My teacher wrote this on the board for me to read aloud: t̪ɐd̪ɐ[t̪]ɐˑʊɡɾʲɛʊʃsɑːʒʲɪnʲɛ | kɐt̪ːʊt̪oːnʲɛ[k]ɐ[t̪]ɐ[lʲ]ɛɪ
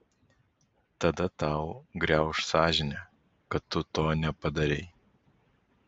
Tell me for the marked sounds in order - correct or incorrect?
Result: correct, incorrect, incorrect, incorrect

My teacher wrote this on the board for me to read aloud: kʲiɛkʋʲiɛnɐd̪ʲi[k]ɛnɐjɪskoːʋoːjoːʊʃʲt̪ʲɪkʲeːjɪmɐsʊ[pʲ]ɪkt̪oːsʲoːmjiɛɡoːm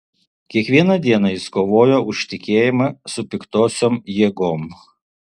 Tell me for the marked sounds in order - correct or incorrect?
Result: incorrect, correct

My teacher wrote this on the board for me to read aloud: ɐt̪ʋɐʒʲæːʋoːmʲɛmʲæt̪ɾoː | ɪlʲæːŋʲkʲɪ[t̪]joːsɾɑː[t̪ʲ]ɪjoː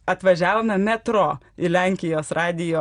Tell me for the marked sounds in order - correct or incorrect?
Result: incorrect, incorrect

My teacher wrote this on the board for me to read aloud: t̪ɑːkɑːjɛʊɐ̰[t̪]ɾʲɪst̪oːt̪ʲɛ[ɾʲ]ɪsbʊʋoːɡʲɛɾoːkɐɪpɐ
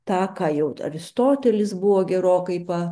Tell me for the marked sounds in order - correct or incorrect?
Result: incorrect, incorrect

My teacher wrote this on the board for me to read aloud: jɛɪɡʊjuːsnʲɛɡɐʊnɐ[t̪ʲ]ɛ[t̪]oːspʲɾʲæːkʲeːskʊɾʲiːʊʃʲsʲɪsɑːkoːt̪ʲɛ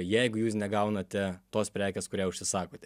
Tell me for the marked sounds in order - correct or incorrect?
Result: correct, correct

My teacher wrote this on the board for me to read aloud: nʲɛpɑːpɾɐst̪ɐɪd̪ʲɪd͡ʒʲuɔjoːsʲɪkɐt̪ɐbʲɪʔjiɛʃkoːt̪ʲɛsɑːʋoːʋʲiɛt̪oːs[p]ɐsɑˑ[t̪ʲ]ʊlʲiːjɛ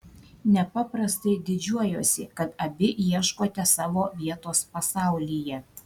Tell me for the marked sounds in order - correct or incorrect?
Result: correct, incorrect

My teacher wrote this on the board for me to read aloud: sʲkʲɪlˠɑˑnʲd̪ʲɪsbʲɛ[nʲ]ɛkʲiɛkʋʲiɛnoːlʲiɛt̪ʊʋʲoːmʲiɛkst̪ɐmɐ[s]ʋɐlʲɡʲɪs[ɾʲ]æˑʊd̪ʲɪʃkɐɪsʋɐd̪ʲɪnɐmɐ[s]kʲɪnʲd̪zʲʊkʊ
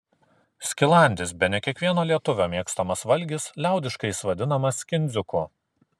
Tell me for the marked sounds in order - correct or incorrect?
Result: correct, correct, incorrect, correct

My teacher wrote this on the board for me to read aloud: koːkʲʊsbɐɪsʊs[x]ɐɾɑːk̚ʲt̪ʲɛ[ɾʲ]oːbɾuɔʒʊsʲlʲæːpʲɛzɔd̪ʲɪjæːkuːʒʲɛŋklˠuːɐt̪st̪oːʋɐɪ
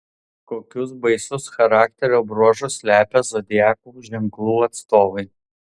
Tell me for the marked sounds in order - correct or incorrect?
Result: correct, correct

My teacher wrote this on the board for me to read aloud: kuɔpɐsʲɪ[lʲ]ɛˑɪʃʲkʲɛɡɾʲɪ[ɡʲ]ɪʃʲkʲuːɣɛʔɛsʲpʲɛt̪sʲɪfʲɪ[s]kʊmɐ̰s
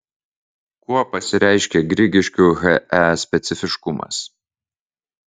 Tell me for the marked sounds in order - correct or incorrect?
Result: incorrect, correct, incorrect

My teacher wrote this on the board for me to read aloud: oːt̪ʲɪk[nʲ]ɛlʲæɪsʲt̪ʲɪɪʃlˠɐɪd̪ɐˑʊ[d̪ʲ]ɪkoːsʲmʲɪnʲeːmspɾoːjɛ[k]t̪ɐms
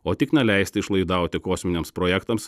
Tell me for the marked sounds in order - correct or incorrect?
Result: correct, incorrect, correct

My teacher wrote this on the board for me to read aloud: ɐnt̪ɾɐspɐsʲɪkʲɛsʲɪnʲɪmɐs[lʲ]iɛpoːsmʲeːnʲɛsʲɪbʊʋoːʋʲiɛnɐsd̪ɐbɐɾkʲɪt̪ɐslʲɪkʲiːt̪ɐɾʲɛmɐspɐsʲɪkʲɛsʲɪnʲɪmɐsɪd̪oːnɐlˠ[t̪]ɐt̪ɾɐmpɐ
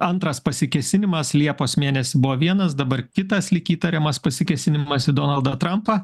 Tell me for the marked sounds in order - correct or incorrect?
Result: correct, incorrect

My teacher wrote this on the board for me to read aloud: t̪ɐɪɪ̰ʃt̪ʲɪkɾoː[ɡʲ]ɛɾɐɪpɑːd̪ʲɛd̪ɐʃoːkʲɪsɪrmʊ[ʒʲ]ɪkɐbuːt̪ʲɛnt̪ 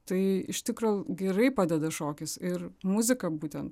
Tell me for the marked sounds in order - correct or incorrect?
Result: correct, incorrect

